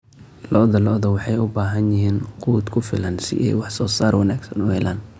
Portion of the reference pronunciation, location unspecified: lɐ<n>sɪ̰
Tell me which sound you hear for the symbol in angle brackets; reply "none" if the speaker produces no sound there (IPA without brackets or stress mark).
n